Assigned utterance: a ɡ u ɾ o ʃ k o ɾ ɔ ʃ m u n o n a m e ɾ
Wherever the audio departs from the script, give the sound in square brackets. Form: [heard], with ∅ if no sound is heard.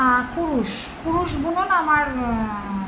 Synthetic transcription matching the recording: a [k] u ɾ [u] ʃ k [u] ɾ [u] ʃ [b] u n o n a m [a] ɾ